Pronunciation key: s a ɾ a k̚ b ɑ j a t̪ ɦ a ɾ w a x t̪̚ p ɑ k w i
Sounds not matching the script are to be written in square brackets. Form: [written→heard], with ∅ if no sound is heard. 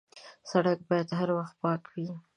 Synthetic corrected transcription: s a [ɾ→ɽ] a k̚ b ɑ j a [t̪→d̪] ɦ a ɾ w a x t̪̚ p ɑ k w i